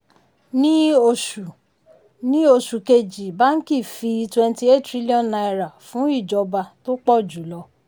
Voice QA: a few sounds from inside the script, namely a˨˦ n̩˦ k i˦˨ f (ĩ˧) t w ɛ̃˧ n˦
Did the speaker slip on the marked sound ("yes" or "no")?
yes